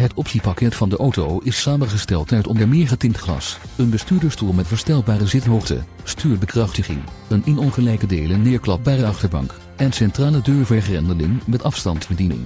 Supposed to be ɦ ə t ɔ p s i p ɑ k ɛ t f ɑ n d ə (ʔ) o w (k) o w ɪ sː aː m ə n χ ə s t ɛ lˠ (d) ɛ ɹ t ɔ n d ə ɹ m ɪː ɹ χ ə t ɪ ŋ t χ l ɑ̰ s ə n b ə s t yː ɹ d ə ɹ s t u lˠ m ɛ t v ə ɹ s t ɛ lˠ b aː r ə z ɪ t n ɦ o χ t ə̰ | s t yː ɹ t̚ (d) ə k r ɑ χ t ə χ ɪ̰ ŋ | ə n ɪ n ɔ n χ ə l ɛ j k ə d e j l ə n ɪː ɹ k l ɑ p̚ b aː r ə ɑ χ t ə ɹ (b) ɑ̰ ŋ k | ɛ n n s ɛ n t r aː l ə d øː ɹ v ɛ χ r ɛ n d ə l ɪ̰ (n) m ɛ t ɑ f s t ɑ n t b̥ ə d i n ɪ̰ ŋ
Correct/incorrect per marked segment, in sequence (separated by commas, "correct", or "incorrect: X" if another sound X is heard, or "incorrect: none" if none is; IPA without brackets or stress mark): correct, incorrect: t, incorrect: t, incorrect: b, correct, incorrect: ŋ